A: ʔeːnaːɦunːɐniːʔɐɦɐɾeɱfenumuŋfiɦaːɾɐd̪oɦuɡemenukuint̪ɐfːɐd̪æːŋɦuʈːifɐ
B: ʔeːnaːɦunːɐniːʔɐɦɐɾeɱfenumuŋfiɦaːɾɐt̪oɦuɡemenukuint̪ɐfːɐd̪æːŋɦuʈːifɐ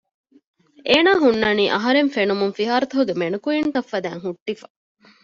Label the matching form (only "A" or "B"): B